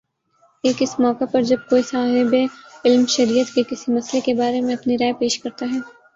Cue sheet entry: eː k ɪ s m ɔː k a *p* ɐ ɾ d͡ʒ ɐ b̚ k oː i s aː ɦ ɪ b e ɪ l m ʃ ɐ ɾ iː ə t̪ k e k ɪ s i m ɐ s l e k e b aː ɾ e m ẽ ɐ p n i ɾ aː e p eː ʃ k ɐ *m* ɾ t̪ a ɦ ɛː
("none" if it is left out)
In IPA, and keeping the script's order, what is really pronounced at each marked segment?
p, none

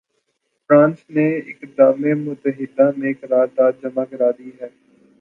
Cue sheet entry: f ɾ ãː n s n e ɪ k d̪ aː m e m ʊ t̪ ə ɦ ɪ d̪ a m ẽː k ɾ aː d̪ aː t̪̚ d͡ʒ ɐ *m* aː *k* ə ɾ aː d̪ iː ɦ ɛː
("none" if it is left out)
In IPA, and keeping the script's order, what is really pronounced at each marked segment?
m, k

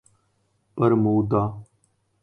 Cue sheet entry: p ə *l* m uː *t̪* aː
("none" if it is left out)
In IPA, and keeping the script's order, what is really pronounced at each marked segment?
ɾ, d̪

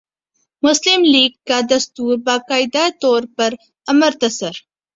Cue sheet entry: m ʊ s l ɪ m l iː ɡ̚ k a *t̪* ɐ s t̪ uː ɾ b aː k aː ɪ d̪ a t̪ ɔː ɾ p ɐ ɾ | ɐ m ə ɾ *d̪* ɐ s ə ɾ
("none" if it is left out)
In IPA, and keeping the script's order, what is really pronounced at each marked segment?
d̪, t̪

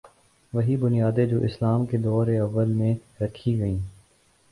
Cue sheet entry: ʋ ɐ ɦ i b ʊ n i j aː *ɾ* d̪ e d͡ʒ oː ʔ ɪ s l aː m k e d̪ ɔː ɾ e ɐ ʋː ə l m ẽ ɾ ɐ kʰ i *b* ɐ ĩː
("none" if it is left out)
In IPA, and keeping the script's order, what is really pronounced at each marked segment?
none, ɡ

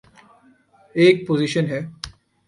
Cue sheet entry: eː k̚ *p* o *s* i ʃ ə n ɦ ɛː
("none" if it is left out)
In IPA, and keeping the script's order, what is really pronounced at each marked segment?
p, z

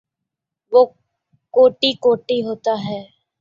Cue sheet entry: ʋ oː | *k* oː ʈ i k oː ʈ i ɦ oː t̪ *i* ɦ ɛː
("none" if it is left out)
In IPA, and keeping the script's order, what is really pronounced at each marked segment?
k, a

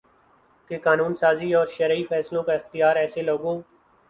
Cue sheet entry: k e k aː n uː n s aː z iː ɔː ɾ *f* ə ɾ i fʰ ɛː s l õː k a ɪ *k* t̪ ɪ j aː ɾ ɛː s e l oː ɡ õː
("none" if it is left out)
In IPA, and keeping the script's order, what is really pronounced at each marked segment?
ʃ, x

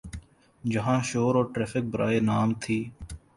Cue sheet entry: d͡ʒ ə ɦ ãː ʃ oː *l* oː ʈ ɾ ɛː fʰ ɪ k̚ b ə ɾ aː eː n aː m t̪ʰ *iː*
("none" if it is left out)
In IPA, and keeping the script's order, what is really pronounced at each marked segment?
ɾ, iː

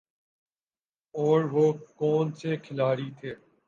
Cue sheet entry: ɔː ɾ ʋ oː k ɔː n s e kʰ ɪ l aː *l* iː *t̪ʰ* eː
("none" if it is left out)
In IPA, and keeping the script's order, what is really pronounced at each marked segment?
ɾ, t̪ʰ

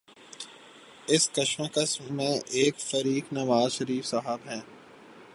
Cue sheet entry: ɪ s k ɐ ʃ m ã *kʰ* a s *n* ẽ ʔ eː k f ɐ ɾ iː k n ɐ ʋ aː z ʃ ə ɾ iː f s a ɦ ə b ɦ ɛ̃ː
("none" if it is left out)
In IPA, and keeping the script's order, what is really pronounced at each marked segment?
k, m

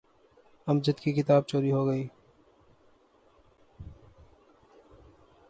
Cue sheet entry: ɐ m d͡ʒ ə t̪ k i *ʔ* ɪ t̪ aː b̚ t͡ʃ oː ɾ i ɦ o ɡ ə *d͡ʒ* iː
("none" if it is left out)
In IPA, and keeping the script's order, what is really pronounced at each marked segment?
k, none

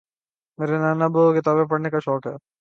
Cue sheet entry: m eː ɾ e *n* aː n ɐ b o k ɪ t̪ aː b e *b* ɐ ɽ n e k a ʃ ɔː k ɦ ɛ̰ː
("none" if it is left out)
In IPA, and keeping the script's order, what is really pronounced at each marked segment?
n, p

